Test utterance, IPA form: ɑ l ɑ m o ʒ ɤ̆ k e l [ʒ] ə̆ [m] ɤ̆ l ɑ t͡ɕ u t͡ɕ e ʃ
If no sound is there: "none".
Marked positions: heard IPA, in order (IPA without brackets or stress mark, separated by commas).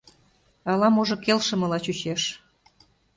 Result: ʃ, m